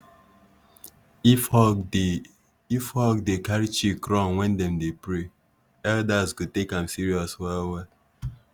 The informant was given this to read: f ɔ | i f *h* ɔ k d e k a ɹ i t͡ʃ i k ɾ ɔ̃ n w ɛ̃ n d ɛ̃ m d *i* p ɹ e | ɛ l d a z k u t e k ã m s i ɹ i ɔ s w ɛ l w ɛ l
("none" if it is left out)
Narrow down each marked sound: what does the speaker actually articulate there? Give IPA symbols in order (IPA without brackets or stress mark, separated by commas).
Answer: h, e